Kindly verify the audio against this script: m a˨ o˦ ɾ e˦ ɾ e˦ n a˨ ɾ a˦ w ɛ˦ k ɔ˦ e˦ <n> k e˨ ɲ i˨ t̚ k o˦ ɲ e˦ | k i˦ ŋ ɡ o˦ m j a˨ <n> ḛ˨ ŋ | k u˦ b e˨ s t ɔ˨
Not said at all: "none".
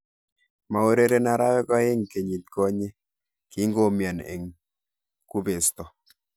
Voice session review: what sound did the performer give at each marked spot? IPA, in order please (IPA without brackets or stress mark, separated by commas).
ŋ, n